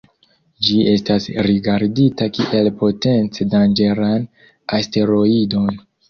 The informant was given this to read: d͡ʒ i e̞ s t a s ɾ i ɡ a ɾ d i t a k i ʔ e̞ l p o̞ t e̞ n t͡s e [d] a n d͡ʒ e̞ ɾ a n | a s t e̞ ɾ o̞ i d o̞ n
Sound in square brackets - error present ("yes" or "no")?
no